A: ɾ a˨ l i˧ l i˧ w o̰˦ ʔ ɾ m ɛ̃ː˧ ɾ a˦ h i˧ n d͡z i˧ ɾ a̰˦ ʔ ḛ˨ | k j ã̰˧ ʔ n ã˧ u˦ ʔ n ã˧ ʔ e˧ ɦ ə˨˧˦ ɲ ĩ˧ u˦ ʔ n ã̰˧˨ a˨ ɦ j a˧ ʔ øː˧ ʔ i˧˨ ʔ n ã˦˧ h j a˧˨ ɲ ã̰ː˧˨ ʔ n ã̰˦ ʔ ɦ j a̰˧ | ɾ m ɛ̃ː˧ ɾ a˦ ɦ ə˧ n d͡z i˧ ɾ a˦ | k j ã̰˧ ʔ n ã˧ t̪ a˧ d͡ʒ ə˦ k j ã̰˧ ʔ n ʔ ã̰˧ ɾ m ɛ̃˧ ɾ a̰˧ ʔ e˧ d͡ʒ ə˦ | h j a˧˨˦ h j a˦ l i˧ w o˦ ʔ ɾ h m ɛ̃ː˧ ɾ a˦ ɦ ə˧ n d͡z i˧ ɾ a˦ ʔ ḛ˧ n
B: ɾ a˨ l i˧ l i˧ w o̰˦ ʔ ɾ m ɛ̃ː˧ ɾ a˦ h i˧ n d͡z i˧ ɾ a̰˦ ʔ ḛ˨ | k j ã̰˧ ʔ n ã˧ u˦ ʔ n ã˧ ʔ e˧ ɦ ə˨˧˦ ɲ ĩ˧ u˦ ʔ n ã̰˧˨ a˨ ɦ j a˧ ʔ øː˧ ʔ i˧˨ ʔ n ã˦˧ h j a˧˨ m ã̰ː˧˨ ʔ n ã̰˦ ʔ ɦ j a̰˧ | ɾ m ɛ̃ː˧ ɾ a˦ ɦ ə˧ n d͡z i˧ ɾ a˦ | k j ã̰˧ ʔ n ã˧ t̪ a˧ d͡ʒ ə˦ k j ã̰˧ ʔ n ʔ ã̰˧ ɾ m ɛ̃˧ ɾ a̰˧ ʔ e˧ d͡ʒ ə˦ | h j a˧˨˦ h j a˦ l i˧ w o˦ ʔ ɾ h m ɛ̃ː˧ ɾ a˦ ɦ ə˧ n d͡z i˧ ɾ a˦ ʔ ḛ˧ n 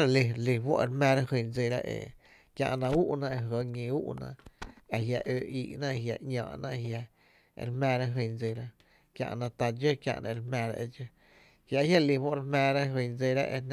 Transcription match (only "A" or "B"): A